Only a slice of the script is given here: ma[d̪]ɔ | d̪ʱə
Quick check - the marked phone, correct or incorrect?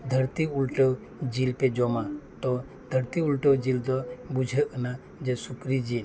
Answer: incorrect